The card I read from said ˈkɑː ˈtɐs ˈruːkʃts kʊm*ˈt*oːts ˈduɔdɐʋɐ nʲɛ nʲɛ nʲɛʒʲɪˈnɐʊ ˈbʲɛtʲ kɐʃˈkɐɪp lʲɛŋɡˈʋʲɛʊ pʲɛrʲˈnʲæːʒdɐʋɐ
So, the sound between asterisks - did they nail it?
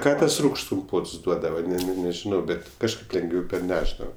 no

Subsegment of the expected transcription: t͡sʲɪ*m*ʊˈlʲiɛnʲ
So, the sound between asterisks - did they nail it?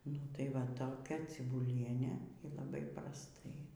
no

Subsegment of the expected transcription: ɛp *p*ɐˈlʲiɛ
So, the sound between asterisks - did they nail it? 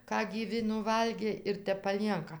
yes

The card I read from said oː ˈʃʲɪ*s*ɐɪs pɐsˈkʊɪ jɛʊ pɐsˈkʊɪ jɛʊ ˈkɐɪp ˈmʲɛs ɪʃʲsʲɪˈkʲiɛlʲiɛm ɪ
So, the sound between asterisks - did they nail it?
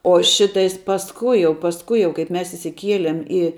no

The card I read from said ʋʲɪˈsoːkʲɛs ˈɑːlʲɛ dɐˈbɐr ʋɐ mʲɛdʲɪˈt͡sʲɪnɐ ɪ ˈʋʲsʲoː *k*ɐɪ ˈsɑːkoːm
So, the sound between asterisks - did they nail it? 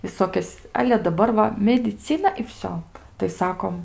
no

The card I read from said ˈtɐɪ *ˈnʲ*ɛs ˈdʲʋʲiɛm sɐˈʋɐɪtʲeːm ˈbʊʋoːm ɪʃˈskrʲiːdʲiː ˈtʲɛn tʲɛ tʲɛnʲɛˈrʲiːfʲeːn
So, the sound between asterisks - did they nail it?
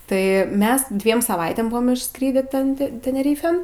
no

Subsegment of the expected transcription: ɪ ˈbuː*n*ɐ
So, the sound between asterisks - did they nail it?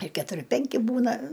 yes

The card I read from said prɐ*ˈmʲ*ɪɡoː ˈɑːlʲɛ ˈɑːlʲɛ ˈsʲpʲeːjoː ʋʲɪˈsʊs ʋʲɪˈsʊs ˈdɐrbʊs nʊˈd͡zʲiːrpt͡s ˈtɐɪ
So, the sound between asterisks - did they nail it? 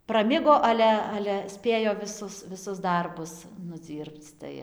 yes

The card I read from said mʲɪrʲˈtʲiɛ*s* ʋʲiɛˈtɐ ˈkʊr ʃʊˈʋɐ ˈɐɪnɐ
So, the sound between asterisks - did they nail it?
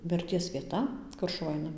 yes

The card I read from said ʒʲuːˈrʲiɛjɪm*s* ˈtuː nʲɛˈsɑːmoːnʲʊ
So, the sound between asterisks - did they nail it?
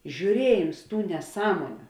yes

